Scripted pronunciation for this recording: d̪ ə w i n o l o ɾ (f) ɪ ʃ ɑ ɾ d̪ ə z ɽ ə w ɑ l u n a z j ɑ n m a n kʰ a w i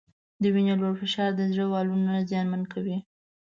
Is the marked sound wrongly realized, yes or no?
no